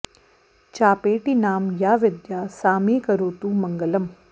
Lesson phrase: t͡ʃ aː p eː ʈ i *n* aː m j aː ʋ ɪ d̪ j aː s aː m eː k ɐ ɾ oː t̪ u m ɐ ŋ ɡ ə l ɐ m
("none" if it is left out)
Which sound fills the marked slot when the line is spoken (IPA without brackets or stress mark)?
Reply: n